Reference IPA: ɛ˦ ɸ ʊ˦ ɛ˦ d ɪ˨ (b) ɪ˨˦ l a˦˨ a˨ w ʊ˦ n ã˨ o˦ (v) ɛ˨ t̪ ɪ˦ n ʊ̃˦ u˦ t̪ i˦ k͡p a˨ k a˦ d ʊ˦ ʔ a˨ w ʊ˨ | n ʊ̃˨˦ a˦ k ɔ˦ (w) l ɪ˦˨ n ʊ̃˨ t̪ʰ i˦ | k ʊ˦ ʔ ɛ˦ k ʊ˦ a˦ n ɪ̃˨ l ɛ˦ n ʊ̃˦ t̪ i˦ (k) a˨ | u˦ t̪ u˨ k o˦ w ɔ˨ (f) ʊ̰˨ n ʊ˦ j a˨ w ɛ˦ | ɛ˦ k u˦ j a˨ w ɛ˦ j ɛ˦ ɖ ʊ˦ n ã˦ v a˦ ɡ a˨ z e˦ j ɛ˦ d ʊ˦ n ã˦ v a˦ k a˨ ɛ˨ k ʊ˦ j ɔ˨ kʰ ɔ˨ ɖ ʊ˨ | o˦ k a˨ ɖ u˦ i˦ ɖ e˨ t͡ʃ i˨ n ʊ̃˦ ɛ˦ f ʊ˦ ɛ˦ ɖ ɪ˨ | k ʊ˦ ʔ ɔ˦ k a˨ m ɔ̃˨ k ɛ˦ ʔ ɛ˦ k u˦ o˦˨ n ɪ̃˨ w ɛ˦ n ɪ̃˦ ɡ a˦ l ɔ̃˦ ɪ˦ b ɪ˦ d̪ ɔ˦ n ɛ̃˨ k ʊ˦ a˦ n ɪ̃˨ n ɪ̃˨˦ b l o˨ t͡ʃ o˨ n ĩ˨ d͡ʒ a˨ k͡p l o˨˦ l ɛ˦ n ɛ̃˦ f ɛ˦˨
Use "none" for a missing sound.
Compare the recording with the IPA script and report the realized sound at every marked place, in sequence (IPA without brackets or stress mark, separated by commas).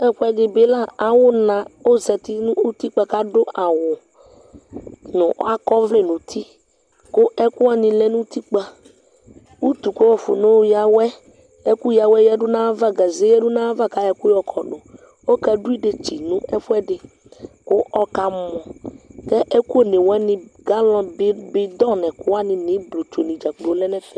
b, z, v, k͡p, f